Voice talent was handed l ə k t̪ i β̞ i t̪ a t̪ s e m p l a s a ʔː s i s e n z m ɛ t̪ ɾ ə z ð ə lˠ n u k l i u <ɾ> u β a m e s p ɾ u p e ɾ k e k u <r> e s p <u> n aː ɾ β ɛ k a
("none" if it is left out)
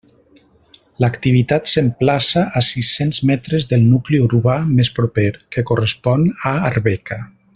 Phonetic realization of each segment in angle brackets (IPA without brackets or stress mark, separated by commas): ɾ, r, ɔ